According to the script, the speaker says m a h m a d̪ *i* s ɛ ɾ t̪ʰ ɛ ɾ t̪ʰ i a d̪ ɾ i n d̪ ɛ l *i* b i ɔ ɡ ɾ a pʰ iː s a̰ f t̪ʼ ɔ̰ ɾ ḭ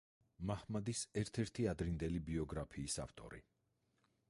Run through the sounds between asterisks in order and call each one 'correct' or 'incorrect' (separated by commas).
correct, correct